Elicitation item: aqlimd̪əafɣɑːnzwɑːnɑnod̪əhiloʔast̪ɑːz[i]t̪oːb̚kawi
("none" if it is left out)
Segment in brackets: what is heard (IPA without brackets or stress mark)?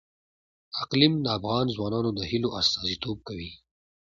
i